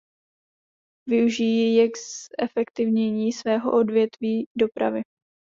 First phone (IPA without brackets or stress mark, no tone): v